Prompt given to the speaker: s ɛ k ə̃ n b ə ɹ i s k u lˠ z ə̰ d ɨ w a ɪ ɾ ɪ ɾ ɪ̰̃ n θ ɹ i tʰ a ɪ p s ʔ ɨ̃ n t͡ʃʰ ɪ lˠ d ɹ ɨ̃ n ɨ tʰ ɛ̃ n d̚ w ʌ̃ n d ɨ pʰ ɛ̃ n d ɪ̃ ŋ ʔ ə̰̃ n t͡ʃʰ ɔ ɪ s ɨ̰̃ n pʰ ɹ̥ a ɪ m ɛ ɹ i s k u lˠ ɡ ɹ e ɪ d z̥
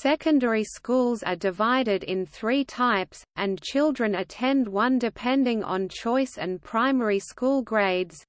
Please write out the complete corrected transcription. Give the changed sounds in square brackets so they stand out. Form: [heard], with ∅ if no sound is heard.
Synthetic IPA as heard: s ɛ k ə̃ n [d] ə ɹ i s k u lˠ z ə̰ d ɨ [v] a ɪ ɾ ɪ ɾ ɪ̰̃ n θ ɹ i tʰ a ɪ p s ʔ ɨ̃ n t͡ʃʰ ɪ lˠ d ɹ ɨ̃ n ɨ tʰ ɛ̃ n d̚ w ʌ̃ n d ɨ pʰ ɛ̃ n d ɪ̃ ŋ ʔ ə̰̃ n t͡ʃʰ ɔ ɪ s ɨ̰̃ n pʰ ɹ̥ a ɪ m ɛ ɹ i s k u lˠ ɡ ɹ e ɪ d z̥